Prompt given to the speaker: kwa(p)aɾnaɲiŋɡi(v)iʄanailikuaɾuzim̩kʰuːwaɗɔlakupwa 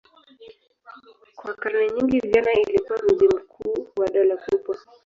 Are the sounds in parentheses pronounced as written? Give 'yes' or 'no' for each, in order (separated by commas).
no, yes